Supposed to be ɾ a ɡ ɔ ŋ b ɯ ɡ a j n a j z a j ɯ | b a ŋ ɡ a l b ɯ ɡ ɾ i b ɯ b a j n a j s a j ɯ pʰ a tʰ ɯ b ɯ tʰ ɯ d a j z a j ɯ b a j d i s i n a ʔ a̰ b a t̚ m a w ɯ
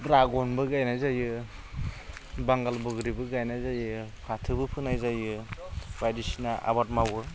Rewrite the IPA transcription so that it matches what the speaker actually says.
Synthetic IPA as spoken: ɾ a ɡ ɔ n b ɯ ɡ a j n a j z a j ɯ | b a ŋ ɡ a l b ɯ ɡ ɾ i b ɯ ɡ a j n a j z a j ɯ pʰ a tʰ ɯ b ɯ pʰ ɯ n a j z a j ɯ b a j d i s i n a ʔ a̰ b a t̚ m a w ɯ